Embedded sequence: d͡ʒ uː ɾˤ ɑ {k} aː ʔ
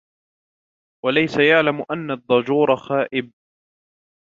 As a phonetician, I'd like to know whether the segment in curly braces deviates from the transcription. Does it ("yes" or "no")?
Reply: yes